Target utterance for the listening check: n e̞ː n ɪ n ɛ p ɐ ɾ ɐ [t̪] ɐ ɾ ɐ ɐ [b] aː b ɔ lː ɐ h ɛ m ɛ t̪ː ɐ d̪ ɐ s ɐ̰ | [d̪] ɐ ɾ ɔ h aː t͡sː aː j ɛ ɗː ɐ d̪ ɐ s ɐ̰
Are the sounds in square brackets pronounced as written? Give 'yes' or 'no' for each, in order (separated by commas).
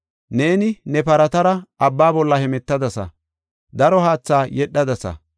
yes, no, yes